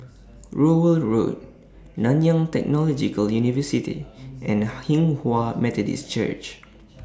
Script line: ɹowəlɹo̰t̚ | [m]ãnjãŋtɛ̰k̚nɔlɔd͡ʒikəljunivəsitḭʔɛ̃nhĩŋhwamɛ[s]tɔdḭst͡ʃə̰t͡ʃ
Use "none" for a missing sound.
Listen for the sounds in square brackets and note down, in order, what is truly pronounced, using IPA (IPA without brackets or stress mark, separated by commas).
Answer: n, none